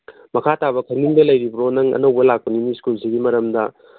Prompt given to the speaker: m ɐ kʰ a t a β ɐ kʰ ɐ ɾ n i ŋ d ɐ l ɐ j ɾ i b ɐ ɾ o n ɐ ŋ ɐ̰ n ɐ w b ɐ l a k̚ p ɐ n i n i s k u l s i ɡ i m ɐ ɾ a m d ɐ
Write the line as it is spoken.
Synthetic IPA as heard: m ɐ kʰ a t a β ɐ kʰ ɐ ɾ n i ŋ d ɐ l ɐ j ɾ i b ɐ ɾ o n ɐ ŋ ɐ̰ n ɐ w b ɐ l a k̚ p ɐ n i n i s k u l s i ɡ i m ɐ ɾ ɐ m d ɐ